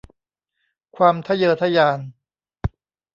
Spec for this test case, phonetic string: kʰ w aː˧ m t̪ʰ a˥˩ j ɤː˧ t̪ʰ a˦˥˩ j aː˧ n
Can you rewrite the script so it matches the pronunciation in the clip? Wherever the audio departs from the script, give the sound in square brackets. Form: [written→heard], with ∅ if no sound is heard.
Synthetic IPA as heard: kʰ w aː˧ m t̪ʰ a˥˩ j ɤː˧ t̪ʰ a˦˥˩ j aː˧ n